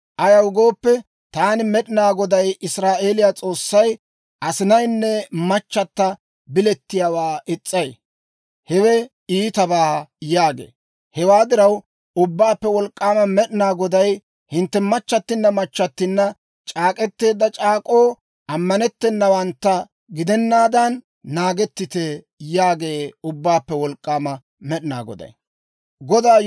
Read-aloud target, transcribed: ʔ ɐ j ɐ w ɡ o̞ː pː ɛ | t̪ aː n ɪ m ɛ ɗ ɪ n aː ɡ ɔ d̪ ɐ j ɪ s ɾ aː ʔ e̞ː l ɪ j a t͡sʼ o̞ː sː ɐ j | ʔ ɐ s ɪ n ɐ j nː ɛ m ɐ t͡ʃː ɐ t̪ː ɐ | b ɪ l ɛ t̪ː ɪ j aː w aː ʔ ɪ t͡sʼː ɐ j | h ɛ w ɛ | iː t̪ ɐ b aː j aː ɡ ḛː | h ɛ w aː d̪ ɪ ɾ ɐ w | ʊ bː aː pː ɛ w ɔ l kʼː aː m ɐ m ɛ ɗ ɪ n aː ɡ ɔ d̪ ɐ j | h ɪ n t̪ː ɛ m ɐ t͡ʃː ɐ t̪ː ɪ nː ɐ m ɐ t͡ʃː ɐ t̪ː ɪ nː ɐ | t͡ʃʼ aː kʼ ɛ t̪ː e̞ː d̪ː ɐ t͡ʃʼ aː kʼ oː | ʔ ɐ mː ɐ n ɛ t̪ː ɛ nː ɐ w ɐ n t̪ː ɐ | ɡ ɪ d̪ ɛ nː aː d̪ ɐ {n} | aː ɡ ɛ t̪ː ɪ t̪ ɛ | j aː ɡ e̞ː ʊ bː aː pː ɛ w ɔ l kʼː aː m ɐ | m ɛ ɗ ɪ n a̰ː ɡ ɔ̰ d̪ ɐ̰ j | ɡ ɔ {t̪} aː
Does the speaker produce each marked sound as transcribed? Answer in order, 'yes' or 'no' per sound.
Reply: no, no

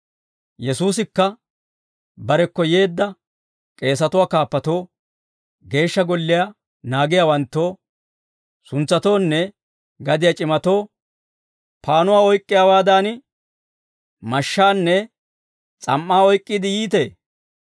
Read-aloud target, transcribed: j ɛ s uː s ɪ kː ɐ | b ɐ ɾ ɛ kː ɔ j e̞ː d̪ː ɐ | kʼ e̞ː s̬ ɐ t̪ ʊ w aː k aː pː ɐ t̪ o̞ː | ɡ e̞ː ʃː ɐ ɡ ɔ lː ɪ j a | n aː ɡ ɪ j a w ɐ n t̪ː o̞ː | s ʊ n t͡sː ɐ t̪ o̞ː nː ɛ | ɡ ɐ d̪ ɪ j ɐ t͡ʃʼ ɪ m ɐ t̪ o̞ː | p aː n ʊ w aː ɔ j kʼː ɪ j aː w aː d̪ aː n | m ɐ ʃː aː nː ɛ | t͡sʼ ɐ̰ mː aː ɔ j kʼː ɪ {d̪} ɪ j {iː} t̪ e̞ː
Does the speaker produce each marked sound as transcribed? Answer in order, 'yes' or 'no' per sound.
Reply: yes, yes

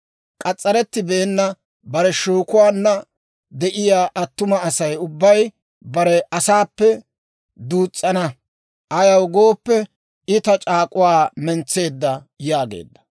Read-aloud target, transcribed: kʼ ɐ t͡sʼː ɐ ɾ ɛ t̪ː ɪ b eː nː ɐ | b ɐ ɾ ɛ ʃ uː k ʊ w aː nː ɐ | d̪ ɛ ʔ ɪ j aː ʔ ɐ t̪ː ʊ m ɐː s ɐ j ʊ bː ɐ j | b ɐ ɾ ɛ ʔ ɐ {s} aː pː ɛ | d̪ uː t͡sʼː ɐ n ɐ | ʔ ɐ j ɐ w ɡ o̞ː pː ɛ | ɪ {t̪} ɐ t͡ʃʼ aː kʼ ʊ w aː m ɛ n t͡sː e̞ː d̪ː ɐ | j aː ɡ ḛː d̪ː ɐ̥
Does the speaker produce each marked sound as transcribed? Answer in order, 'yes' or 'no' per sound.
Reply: yes, yes

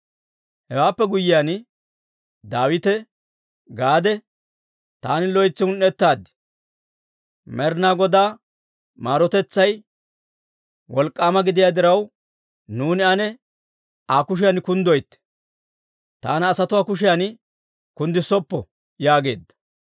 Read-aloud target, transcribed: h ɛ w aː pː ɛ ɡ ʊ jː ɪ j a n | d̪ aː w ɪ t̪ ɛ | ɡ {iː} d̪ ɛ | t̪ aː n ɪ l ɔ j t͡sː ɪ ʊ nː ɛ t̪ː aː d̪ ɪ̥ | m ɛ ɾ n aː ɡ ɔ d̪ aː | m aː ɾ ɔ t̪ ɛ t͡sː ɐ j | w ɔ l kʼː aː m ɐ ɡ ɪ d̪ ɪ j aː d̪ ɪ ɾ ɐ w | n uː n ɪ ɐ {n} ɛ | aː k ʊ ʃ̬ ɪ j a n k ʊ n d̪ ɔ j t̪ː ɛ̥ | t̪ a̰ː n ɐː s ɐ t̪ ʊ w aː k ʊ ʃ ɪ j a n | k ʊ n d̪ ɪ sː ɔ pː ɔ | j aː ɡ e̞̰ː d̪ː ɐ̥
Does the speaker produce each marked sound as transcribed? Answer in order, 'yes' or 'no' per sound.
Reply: no, yes

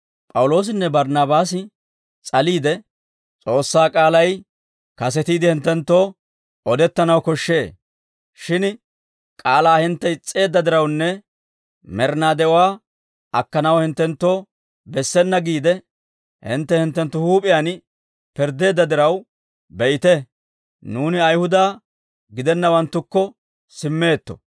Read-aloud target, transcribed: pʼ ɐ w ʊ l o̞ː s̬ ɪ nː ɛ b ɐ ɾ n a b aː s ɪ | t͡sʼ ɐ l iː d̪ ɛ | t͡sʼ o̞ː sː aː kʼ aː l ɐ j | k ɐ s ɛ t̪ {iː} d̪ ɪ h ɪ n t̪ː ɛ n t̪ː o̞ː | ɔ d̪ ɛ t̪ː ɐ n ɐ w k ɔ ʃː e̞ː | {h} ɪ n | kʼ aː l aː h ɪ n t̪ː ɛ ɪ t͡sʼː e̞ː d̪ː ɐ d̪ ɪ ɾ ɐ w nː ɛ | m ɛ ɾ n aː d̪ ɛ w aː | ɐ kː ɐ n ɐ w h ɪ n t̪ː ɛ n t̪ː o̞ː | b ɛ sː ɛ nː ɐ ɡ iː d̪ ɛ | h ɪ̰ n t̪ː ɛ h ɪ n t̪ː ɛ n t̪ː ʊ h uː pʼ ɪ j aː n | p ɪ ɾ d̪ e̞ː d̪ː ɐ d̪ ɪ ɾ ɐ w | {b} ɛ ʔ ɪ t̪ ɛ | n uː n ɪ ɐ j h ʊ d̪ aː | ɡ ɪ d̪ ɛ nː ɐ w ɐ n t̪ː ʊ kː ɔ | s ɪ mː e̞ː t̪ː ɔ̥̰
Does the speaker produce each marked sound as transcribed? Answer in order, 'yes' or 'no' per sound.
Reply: yes, no, yes

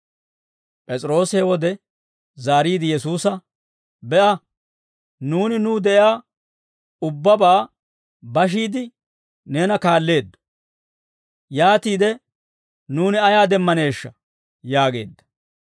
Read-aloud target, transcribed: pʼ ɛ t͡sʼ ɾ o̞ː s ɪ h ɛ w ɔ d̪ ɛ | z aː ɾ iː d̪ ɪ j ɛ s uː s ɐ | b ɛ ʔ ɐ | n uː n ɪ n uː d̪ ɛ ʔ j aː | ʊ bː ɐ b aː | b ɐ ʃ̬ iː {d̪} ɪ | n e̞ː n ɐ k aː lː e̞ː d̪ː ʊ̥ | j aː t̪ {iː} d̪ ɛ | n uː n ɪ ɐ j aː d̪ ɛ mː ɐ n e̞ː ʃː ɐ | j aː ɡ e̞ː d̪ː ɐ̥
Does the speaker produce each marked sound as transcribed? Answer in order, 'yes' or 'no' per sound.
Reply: yes, yes

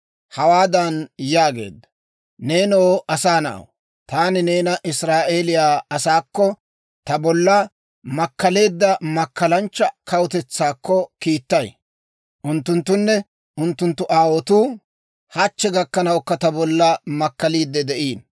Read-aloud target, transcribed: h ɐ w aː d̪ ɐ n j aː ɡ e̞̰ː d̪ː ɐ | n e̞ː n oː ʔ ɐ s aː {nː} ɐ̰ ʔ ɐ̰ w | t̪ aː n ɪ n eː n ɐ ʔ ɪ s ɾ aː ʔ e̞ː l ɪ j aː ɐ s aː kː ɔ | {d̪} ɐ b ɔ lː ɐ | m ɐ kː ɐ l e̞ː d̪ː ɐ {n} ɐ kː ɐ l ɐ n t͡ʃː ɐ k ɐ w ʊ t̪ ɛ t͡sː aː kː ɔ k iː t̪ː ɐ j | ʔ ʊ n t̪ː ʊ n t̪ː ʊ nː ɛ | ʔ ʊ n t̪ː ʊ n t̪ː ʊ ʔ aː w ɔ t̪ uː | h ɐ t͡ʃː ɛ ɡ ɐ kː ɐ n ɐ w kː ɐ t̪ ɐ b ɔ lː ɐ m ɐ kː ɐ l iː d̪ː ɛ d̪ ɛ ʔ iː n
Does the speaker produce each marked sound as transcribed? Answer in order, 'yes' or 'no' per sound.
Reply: no, no, no

